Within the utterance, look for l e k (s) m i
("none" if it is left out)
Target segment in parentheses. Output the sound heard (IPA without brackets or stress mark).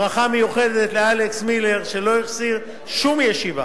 s